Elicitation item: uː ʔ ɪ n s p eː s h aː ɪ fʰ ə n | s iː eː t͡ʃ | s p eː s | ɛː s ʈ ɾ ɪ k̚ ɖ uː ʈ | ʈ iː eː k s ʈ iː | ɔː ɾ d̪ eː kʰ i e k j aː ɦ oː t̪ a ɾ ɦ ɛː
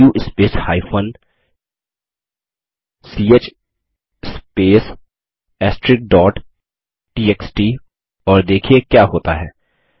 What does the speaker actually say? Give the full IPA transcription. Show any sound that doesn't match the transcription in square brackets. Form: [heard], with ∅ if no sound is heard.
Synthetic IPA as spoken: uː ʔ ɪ [∅] s p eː s h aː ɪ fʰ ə n | s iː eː t͡ʃ | s p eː s | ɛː s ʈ ɾ ɪ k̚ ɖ [ɔː] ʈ | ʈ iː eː k s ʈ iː | ɔː ɾ d̪ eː kʰ i e k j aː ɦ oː t̪ a [∅] ɦ ɛː